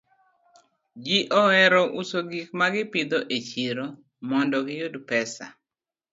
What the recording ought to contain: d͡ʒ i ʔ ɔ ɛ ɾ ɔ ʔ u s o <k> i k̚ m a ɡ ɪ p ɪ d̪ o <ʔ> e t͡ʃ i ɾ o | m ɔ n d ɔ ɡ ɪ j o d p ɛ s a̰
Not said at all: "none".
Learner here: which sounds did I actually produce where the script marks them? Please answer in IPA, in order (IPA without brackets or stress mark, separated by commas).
ɡ, ʔ